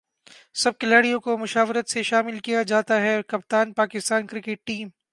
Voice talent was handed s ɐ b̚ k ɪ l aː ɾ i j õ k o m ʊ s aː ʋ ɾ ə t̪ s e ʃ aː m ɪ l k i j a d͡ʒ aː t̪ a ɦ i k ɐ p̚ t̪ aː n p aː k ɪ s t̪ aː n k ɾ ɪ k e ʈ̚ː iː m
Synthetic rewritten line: s ɐ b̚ k ɪ l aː ɽ i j õ k o m ʊ ʃ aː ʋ ɾ ə t̪ s e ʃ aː m ɪ l k i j a d͡ʒ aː t̪ a ɦ ɛ k ɐ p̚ t̪ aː n p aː k ɪ s t̪ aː n k ɾ ɪ k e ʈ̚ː iː m